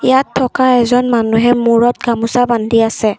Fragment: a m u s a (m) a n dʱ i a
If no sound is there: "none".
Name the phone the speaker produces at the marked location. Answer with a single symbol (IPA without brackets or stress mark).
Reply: b